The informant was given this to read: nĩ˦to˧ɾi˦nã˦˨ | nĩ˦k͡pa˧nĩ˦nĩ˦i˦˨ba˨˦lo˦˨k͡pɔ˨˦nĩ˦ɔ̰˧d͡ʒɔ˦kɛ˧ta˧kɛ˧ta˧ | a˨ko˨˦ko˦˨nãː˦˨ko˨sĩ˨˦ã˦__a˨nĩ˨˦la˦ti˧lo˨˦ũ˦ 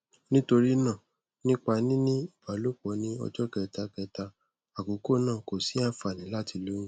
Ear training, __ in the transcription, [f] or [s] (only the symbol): f